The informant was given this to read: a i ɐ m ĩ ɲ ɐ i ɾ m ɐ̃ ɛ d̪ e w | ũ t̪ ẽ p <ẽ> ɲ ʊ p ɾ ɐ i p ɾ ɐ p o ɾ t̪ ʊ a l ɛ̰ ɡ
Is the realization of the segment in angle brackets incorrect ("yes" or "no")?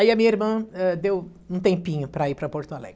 yes